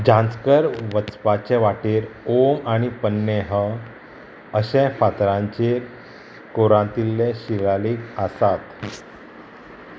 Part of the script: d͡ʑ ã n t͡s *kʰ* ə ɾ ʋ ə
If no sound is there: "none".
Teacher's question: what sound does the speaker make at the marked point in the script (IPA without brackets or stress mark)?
k